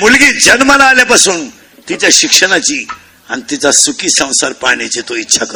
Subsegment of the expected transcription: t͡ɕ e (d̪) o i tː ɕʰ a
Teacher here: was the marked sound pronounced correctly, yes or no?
no